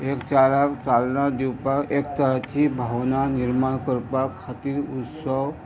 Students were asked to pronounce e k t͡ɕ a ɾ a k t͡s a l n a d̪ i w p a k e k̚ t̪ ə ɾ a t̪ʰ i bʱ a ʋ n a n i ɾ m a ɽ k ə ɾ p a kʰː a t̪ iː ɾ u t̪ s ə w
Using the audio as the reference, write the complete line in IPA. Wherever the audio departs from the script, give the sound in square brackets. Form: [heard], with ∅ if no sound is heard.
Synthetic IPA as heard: e k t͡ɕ a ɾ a k t͡s a l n a d̪ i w p a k e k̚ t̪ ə ɾ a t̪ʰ i bʱ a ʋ n a n i ɾ m a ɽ k ə ɾ p a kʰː a t̪ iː ɾ u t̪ s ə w